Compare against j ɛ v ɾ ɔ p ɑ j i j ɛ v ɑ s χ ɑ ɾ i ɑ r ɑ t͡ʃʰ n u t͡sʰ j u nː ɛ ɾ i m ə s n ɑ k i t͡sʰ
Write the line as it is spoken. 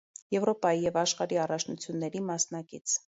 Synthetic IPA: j ɛ v ɾ ɔ p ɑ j i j ɛ v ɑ ʃ χ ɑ ɾ i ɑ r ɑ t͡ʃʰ n u t͡sʰ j u nː ɛ ɾ i m ɑ s n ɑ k i t͡sʰ